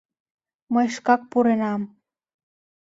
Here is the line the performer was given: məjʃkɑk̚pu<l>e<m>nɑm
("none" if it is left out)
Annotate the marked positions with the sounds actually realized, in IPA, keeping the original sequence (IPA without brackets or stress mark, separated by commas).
ɾ, none